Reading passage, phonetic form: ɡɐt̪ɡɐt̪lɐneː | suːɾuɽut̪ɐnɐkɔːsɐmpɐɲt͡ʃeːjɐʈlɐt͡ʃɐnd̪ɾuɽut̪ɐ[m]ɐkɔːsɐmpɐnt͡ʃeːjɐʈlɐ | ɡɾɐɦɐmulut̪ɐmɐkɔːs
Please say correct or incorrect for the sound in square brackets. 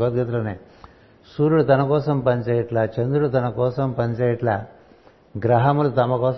incorrect